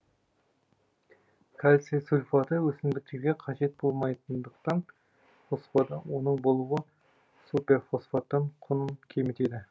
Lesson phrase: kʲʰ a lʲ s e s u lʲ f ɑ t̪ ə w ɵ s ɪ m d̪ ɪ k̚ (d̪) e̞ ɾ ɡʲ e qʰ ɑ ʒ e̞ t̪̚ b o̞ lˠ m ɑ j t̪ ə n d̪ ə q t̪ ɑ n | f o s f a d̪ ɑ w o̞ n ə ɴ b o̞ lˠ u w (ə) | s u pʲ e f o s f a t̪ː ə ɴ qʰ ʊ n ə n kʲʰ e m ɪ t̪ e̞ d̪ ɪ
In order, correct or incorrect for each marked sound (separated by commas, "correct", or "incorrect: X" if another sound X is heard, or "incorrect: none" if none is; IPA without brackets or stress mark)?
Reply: incorrect: t̪, correct